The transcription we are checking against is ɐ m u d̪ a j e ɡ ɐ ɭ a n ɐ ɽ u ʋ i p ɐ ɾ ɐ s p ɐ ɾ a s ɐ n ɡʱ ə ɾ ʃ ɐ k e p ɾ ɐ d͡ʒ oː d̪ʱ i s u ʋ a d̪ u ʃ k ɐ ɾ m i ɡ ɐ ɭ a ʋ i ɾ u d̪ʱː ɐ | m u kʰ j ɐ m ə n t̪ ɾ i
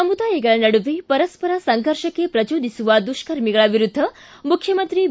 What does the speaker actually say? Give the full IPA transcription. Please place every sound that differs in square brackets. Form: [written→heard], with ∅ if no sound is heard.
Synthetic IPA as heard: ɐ m u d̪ a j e ɡ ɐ ɭ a n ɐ ɽ u ʋ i p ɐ ɾ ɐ s p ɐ ɾ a s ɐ [n→ŋ] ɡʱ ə ɾ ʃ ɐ k e p ɾ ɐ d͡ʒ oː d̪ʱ i s u ʋ a d̪ u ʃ k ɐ ɾ m i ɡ ɐ ɭ a ʋ i ɾ u d̪ʱː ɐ | m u kʰ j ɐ m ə n t̪ ɾ i